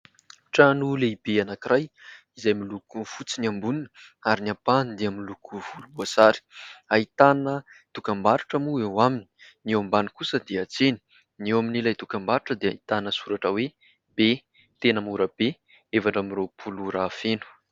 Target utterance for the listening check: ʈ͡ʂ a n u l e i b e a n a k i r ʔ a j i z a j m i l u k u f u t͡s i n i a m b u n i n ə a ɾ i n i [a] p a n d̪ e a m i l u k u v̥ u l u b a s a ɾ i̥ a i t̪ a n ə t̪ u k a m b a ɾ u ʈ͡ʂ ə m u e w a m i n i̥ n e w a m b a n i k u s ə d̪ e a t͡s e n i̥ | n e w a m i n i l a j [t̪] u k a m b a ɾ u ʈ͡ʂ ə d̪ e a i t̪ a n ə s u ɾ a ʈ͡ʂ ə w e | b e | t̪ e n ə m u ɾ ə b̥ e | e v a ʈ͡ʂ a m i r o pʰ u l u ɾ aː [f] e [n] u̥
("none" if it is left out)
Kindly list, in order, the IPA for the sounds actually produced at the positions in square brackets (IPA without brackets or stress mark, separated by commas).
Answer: a, t̪, f, n